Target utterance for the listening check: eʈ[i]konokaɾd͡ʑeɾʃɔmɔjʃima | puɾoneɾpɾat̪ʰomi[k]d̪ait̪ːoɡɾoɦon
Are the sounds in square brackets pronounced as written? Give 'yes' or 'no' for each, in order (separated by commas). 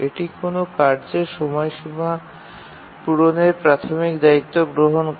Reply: yes, yes